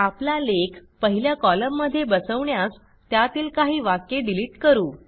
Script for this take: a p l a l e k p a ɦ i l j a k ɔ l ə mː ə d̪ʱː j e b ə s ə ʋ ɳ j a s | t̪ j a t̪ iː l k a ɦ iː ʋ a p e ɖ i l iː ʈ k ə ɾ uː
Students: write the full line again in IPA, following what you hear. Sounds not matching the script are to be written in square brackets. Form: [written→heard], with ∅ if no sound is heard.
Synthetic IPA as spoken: a p l a l e k p [a→ə] ɦ i l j a k ɔ l ə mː ə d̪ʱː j e b ə s ə ʋ ɳ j a s | t̪ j a t̪ iː l k a ɦ iː ʋ a [p→k] e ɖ i l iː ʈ k ə ɾ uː

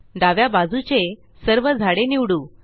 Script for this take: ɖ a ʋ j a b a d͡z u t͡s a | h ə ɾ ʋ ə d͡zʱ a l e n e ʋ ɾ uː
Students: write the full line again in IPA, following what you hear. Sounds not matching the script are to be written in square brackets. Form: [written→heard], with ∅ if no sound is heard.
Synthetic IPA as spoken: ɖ a ʋ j a b a d͡z u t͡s [a→e] | [h→s] ə ɾ ʋ ə d͡zʱ a [l→ɽ] e n [e→i] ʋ [ɾ→ɽ] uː

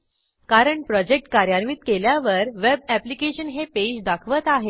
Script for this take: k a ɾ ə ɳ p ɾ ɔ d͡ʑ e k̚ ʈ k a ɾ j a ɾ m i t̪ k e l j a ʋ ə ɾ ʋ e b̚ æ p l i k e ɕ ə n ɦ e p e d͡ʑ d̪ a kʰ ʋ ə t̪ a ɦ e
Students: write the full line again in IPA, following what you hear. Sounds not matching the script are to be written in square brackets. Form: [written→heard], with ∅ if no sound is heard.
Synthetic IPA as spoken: k a ɾ ə ɳ p ɾ ɔ d͡ʑ e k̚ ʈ k a ɾ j a ɾ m i t̪ k e l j a ʋ ə ɾ ʋ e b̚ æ p l i k e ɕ ə n ɦ e p e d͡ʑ d̪ a kʰ ʋ ə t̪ a ɦ e

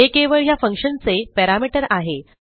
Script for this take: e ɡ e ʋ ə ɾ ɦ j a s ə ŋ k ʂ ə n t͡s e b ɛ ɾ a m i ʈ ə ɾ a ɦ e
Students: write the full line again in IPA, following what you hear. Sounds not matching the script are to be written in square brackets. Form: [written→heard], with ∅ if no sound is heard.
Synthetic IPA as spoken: e [ɡ→k] e ʋ ə [ɾ→ɭ] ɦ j a [s→f] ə ŋ k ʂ ə n t͡s e [b→p] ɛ ɾ a m i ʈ ə ɾ a ɦ e

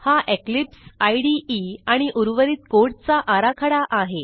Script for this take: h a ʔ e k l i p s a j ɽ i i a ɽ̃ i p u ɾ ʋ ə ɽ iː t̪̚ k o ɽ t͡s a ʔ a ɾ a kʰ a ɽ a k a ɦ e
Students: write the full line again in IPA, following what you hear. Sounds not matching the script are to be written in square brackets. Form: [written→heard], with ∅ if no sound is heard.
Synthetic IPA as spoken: h a ʔ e k l i p s a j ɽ i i a ɽ̃ i [p→ʔ] u ɾ ʋ ə [ɽ→ɾ] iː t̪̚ k o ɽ t͡s a ʔ a ɾ a kʰ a ɽ a [k→ʔ] a ɦ e

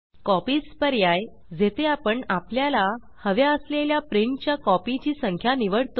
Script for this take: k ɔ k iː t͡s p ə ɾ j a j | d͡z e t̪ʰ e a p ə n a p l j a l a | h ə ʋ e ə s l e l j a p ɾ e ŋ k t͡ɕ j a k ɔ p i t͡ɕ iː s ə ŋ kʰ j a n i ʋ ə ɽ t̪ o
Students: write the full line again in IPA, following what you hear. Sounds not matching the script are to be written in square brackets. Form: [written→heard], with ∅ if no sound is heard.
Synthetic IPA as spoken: k ɔ [k→p] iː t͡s p ə ɾ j a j | d͡z e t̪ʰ e a p ə [n→ɳ] a p l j a l a | h ə ʋ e ə s l e l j a p ɾ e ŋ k t͡ɕ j a k ɔ p i t͡ɕ iː s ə ŋ kʰ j a n i ʋ ə ɽ t̪ o

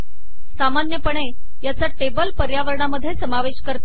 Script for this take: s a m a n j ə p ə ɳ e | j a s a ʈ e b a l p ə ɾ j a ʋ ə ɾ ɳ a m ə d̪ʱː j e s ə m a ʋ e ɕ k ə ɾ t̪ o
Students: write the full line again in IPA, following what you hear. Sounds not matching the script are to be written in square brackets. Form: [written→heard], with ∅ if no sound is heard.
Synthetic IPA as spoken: s a m a n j ə p ə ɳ e | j a [s→t͡s] a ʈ e b [a→ə] l p ə ɾ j a ʋ ə ɾ ɳ a m ə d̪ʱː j e s ə m a ʋ e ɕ k ə ɾ t̪ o

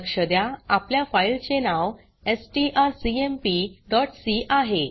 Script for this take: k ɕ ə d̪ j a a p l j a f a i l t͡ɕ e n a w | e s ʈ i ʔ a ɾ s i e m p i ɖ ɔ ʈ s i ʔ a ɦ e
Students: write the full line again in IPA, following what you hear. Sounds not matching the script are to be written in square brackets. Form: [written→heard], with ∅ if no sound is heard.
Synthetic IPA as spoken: k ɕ ə d̪ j a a p l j a f a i l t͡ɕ e n a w | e s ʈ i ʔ a ɾ s i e m p i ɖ ɔ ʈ s i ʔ a ɦ e

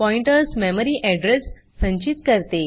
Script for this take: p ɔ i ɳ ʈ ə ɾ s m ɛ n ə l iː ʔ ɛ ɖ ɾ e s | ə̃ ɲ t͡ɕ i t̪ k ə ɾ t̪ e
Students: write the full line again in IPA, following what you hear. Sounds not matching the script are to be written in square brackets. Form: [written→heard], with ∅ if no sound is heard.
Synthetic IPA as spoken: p ɔ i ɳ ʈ ə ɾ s m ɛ [n→m] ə [l→ɾ] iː ʔ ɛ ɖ ɾ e [s→sː] | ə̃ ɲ t͡ɕ i t̪ k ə ɾ t̪ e

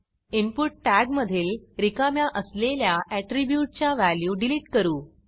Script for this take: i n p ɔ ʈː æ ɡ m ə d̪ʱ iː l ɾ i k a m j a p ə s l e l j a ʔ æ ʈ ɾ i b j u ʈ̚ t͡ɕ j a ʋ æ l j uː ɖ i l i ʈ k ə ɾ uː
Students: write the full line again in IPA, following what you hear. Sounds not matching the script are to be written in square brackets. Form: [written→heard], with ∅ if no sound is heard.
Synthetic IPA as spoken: i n p [ɔ→u] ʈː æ ɡ m ə d̪ʱ iː l ɾ i k a m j a [p→ʔ] ə s l e l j a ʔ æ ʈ ɾ i b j u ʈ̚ t͡ɕ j a ʋ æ l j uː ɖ i l i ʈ k ə ɾ uː

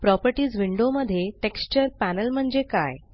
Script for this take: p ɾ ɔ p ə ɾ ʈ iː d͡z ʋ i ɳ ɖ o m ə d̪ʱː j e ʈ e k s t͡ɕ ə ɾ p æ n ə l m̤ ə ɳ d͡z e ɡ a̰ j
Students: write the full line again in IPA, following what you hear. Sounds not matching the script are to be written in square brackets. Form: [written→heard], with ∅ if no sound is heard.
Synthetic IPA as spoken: p ɾ ɔ p ə ɾ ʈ iː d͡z ʋ i ɳ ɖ o m ə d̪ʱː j e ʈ e k s t͡ɕ ə ɾ p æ n ə l m̤ ə ɳ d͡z e [ɡ→k] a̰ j

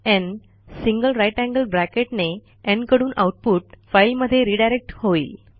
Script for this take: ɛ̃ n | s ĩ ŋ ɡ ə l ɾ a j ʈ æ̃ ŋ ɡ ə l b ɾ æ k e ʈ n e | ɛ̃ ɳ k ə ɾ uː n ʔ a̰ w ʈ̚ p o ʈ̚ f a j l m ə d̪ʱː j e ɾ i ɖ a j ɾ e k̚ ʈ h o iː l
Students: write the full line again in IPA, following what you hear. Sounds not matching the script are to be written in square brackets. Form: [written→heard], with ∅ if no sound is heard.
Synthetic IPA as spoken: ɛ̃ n | s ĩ ŋ ɡ ə l ɾ a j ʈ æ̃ ŋ ɡ ə l b ɾ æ k e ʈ n e | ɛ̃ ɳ k ə [ɾ→ɽ] uː n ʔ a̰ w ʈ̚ p [o→u] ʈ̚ f a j l m ə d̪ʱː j e ɾ i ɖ a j ɾ e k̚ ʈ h o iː l

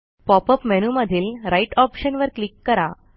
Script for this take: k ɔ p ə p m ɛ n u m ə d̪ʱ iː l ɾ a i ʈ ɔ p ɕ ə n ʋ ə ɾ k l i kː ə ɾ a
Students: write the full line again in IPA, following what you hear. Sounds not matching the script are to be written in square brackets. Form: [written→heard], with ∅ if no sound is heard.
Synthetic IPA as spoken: [k→p] ɔ p ə p m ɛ n u m ə d̪ʱ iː l ɾ a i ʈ ɔ p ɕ ə n ʋ ə ɾ k l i kː ə ɾ a

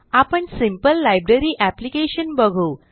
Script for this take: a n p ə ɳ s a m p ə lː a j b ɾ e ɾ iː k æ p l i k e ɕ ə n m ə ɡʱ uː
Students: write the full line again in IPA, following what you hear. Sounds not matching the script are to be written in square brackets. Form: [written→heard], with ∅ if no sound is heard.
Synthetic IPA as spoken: a [n→∅] p ə ɳ s [a→i] m p ə lː a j b ɾ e ɾ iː [k→ʔ] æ p l i k e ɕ ə n [m→b] ə ɡʱ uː

